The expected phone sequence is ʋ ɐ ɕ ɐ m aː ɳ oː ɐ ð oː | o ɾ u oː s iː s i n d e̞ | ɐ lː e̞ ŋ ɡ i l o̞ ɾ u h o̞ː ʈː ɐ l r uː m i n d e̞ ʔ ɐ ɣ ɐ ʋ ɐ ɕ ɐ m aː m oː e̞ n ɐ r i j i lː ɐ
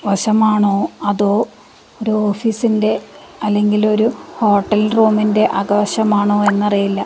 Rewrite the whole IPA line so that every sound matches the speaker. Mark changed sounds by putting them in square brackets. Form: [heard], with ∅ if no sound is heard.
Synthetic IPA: ʋ ɐ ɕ ɐ m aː ɳ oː ɐ ð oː | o ɾ u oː [f] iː s i n d e̞ | ɐ lː e̞ ŋ ɡ i l o̞ ɾ u h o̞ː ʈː ɐ l r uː m i n d e̞ ʔ ɐ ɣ ɐ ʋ ɐ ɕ ɐ m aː [ɳ] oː e̞ [nː] ɐ r i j i lː ɐ